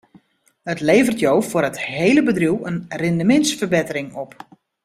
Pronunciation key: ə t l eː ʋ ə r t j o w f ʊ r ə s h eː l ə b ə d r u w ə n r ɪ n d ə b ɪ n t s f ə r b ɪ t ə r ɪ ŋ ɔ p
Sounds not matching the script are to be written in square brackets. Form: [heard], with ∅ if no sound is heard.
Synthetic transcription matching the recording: ə t l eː [v] ə r t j o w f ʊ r ə [t] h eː l ə b ə d r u w ə n r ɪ n d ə [m] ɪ n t s f ə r b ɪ t ə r ɪ ŋ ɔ p

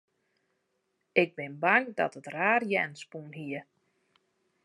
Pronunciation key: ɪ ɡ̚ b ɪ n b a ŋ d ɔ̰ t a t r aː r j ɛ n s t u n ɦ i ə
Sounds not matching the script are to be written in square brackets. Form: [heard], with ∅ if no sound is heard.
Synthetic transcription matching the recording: ɪ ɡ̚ b ɪ n b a ŋ d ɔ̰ t [ə] t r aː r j ɛ n s [p] u n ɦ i ə

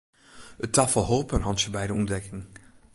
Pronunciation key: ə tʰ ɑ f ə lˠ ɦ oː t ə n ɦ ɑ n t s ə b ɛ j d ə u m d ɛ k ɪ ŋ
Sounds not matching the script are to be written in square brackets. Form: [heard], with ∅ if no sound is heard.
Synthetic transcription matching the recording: ə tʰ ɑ f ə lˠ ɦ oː [p] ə n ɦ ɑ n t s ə b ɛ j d ə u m d ɛ k ɪ ŋ

